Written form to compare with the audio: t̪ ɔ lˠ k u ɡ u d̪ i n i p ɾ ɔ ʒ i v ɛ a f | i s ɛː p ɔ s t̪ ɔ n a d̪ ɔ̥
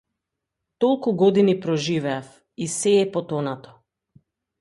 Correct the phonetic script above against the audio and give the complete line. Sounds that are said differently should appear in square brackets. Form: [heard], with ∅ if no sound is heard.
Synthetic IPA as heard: t̪ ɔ lˠ k u ɡ [ɔ] d̪ i n i p ɾ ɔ ʒ i v ɛ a f | i s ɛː p ɔ [∅] t̪ ɔ n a [t̪] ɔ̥